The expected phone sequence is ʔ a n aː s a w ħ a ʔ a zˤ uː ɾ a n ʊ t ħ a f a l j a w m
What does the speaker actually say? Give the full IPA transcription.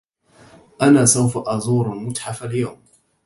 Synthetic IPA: ʔ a n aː s a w f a ʔ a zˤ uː ɾ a m ʊ t ħ a f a l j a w m

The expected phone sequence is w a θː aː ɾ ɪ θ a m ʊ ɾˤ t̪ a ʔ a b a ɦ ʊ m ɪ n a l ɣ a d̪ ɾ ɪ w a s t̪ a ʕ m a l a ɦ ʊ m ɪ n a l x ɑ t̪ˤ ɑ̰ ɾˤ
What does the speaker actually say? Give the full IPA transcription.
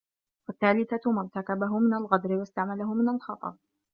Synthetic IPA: w a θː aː l ɪ θ a m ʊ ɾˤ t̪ a k a b a ɦ ʊ m ɪ n a l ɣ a d̪ ɾ ɪ w a s t̪ a ʕ m a l a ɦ ʊ m ɪ n a l x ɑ t̪ˤ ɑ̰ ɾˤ

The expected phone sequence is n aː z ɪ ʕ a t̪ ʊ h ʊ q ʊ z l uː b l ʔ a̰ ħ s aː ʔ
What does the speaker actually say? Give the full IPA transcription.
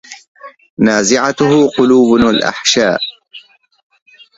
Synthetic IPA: n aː z ɪ ʕ a t̪ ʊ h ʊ q ʊ l uː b l ʔ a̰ ħ ʃ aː ʔ

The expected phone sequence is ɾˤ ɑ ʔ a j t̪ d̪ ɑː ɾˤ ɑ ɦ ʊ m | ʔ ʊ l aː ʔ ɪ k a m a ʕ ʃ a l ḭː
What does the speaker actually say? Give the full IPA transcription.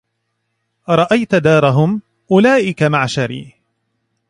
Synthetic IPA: ɾˤ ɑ ʔ a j t̪ d̪ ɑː ɾˤ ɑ ɦ ʊ m | ʔ ʊ l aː ʔ ɪ k a m a ʕ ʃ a ɾ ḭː

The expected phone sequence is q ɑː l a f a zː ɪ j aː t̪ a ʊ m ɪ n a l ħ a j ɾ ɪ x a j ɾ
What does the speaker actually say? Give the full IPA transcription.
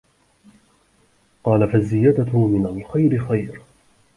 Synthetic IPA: q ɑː l a f a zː ɪ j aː d̪ a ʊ m ɪ n a l x a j ɾ ɪ x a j ɾ

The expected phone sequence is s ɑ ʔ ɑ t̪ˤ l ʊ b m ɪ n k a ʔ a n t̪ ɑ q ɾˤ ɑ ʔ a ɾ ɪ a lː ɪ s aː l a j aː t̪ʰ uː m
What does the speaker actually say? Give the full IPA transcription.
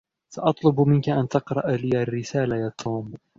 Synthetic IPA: s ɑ ʔ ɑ t̪ˤ l ʊ b m ɪ n k a ʔ a n t̪ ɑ q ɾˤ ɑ ʔ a l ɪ a rː ɪ s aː l a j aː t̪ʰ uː m

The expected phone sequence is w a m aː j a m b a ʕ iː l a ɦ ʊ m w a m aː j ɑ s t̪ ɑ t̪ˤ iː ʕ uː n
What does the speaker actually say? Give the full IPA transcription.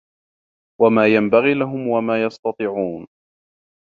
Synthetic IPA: w a m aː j a m b a ɣ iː l a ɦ ʊ m w a m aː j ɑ s t̪ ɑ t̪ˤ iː ʕ uː n

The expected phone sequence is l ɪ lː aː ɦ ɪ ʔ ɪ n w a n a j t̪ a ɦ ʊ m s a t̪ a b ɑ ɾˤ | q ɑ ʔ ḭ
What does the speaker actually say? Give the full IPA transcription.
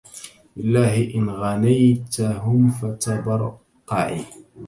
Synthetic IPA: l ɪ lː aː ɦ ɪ ʔ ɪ n ɣ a n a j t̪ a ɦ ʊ m f a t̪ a b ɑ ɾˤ | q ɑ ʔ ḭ

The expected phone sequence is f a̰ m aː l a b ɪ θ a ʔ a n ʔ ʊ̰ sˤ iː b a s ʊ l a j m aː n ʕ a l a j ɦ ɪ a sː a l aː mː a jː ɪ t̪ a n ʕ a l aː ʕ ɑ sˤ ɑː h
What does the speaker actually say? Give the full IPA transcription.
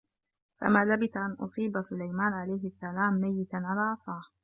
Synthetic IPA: f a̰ m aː l a b ɪ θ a ʔ a n ʔ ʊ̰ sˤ iː b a s ʊ l a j m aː n ʕ a l a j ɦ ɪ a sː a l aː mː a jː ɪ t̪ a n ʕ a l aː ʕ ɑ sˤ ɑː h

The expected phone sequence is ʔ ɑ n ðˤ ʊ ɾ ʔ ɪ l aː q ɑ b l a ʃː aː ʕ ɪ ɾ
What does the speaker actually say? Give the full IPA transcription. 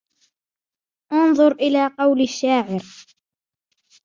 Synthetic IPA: ʔ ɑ n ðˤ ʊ ɾ ʔ ɪ l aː q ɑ w l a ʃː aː ʕ ɪ ɾ

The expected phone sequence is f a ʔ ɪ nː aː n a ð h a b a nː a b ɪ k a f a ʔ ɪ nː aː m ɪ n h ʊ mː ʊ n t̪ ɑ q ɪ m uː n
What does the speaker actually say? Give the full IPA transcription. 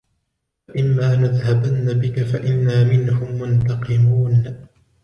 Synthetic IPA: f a ʔ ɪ mː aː n a ð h a b a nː a b ɪ k a f a ʔ ɪ nː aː m ɪ n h ʊ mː ʊ n t̪ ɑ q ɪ m uː n

